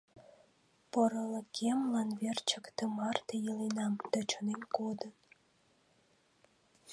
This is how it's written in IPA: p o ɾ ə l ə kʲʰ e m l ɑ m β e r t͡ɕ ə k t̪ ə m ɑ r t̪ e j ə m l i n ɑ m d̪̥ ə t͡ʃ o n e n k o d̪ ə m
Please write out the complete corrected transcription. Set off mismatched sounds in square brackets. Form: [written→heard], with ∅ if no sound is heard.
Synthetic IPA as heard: p o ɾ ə l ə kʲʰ e m l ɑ [m→n] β e r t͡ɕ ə k t̪ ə m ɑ r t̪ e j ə [m→∅] l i n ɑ m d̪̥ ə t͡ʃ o n e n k o d̪ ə [m→n]